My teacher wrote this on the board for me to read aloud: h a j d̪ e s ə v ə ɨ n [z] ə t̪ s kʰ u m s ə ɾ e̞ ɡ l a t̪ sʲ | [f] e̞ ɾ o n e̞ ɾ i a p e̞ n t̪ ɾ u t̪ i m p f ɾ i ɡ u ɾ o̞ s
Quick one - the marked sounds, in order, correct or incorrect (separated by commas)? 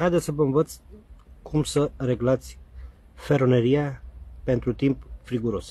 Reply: incorrect, correct